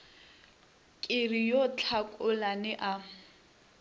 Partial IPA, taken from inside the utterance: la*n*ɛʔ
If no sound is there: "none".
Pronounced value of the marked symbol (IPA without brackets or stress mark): n